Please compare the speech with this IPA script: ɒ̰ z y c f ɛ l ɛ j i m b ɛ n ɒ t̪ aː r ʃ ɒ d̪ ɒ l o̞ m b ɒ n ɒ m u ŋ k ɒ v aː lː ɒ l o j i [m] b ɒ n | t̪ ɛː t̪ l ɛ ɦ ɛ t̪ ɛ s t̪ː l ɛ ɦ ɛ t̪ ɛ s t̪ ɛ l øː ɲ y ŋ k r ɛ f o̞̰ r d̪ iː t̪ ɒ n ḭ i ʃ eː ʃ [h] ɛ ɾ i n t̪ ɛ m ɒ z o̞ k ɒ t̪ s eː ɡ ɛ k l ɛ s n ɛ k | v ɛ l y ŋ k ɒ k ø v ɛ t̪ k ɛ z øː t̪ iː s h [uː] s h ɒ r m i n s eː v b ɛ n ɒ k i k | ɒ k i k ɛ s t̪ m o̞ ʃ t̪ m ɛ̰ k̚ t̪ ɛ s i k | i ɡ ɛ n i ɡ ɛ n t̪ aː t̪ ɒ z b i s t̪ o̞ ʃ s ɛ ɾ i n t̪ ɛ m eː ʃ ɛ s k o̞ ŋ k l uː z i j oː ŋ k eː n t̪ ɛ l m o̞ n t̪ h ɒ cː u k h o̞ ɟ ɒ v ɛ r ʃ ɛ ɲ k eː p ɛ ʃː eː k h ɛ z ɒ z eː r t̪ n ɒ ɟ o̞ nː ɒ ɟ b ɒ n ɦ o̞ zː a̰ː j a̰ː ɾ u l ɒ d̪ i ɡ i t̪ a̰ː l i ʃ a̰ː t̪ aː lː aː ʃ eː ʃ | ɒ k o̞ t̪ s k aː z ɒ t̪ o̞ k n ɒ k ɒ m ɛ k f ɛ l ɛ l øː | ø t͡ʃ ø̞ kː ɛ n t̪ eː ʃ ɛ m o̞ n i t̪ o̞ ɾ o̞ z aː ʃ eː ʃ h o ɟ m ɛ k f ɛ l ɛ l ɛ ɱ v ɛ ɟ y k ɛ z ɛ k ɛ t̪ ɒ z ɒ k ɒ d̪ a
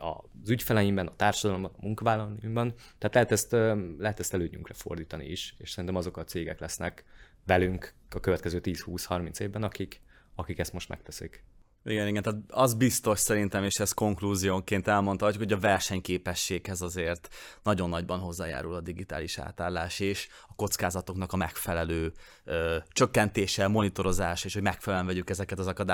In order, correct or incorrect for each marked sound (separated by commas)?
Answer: correct, incorrect, correct